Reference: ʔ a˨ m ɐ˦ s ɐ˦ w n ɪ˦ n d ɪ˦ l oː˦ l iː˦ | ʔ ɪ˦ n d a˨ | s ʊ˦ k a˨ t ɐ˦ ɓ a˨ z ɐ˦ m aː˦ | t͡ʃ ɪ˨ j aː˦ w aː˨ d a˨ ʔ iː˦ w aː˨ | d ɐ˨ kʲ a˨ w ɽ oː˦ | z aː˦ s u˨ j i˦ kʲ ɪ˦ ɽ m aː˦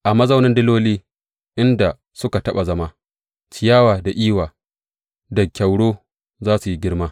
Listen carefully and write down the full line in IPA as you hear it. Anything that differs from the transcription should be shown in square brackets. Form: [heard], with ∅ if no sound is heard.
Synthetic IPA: ʔ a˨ m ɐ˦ [z] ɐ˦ w n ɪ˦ n d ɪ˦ l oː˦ l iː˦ | ʔ ɪ˦ n d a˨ | s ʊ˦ k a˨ t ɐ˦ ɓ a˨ z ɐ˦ m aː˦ | t͡ʃ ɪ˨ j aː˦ w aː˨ d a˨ ʔ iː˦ w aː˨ | d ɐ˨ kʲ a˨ w ɽ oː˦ | z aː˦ s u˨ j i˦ [ɡʲ] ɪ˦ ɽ m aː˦